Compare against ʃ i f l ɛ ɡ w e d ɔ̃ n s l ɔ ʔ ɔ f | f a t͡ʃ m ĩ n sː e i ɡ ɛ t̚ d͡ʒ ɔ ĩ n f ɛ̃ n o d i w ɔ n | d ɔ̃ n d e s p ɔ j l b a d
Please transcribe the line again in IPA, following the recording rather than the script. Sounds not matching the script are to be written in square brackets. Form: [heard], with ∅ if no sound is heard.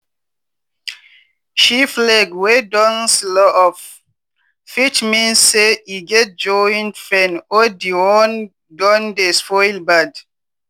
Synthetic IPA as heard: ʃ i f l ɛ ɡ w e d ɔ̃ n s l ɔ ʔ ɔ f | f [i] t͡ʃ m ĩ n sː e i ɡ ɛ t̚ d͡ʒ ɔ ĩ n f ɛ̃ n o d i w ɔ n | d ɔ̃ n d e s p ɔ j l b a d